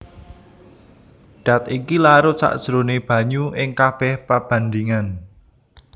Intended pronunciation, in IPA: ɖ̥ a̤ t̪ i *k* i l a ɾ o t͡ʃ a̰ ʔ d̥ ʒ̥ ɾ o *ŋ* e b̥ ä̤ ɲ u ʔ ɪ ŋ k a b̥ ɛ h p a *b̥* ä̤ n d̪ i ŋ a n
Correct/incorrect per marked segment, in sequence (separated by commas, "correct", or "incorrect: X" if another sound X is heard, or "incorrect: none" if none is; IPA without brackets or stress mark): correct, incorrect: n, correct